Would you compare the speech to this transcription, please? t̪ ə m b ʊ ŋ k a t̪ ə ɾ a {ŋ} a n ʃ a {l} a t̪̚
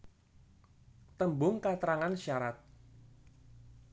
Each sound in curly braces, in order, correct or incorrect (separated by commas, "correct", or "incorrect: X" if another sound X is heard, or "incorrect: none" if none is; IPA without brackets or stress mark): correct, incorrect: ɾ